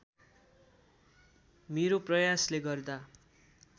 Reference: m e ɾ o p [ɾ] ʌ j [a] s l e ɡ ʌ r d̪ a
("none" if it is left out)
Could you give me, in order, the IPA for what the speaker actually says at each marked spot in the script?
r, a

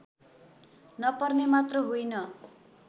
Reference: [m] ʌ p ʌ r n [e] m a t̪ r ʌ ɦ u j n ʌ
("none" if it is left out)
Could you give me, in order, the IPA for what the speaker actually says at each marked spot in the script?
n, e

